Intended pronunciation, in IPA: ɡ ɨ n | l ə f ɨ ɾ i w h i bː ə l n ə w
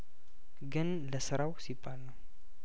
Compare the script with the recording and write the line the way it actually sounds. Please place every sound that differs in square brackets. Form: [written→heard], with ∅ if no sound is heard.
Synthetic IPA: ɡ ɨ n | l ə [f→s] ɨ ɾ [i→a] w [h→s] i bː [ə→a] l n ə w